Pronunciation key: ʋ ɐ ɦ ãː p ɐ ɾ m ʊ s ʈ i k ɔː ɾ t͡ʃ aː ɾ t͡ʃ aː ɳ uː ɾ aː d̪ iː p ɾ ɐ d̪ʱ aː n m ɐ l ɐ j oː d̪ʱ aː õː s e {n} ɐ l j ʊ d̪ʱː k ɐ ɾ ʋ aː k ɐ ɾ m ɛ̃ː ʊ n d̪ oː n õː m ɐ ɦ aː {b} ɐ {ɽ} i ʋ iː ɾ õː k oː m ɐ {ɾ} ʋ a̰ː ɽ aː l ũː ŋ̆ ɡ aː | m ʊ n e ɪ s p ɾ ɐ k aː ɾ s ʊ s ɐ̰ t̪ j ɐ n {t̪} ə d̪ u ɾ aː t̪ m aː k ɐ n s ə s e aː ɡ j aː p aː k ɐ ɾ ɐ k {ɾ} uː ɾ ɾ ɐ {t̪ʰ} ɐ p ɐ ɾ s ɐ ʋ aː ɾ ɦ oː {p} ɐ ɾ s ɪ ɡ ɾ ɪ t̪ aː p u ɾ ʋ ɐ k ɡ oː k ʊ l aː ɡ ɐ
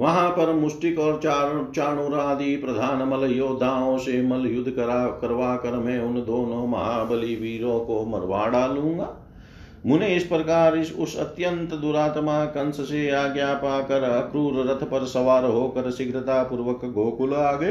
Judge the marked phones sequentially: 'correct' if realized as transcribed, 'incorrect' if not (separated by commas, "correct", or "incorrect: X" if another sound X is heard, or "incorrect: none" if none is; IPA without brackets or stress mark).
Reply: incorrect: m, correct, incorrect: l, correct, correct, correct, correct, incorrect: k